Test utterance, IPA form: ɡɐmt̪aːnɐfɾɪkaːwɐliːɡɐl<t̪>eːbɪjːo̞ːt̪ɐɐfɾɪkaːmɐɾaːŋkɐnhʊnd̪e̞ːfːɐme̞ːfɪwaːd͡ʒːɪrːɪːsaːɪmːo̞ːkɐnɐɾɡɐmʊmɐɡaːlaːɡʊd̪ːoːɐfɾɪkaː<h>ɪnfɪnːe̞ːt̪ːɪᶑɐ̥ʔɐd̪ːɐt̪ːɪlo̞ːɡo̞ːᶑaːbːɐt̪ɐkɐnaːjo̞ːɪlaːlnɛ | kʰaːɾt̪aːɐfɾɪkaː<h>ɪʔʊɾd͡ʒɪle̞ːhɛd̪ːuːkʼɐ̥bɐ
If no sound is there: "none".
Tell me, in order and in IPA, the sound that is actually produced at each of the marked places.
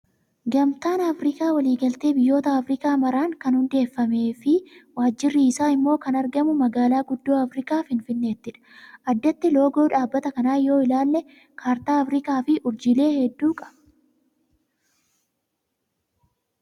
t̪, f, f

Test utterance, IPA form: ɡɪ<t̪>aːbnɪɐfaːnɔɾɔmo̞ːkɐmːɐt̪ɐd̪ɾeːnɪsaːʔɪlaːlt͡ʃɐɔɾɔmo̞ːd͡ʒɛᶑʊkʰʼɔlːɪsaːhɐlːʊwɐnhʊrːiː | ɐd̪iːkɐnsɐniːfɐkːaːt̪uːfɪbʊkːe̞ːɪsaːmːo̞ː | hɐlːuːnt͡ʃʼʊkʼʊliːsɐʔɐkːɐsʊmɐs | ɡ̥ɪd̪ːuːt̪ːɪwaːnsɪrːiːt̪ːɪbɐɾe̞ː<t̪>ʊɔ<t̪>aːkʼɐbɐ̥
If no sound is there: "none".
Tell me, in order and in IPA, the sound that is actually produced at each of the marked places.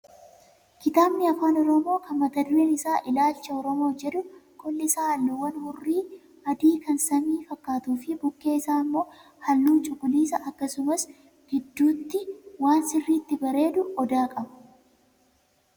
t̪, d̪, d̪

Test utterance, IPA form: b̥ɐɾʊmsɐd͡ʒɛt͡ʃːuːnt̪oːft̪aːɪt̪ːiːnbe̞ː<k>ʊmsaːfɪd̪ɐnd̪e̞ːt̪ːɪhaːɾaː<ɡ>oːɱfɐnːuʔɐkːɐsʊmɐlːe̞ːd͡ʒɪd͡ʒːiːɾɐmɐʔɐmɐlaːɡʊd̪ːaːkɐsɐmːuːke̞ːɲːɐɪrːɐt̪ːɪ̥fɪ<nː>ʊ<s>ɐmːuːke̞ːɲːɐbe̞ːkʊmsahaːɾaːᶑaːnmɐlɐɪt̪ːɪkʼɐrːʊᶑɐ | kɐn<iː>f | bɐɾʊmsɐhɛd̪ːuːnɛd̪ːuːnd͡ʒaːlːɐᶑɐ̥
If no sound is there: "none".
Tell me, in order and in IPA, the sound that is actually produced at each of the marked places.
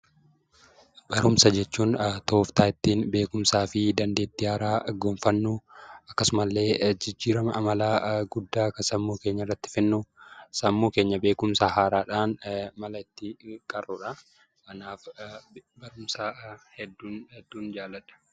k, ɡ, nː, s, aː

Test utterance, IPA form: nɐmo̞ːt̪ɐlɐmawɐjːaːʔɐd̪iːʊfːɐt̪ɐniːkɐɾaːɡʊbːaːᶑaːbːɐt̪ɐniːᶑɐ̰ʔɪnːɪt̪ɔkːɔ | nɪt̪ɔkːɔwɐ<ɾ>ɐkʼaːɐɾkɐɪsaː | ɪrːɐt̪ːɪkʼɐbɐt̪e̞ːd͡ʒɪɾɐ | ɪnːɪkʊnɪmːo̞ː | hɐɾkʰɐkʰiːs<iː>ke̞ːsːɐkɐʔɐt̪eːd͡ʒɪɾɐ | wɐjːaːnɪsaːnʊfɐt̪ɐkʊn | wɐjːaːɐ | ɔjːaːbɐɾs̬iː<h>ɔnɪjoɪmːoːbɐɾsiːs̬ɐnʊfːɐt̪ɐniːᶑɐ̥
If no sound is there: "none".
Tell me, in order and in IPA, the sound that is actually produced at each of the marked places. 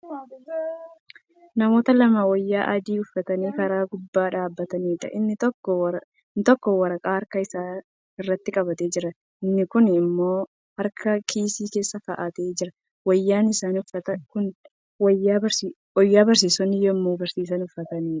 ɾ, iː, s

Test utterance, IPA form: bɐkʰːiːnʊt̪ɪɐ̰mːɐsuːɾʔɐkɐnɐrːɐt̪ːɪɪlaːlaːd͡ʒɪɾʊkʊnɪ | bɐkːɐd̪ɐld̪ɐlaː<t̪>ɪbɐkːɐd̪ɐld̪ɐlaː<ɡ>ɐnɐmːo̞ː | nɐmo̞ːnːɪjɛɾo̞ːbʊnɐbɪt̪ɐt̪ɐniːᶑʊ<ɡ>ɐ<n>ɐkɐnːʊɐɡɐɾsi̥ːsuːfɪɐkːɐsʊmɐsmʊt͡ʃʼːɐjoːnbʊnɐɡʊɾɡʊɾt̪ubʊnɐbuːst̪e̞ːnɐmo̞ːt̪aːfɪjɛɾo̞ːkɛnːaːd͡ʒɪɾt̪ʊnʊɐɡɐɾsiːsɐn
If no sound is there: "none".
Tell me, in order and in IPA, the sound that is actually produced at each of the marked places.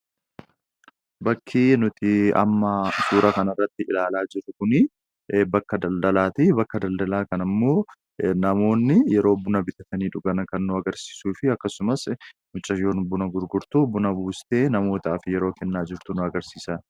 t̪, k, ɡ, n

